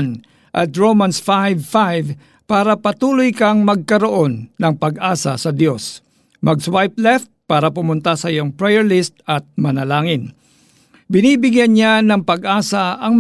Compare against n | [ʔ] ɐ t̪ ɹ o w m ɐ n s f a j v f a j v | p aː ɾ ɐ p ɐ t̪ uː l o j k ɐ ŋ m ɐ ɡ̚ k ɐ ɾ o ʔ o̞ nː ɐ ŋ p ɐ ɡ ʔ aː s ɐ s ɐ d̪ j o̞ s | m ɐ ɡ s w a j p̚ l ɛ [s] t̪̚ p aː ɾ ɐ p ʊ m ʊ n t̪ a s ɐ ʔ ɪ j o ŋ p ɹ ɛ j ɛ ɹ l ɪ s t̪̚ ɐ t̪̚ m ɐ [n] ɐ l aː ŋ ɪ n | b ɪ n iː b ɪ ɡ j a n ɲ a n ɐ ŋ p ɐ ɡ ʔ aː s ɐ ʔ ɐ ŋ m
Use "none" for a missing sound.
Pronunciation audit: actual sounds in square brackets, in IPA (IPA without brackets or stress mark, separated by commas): ʔ, f, n